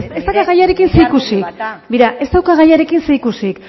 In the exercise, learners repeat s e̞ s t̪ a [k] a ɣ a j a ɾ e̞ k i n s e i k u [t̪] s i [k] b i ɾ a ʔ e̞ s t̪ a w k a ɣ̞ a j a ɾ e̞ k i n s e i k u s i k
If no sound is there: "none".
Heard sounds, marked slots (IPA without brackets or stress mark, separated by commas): k, none, k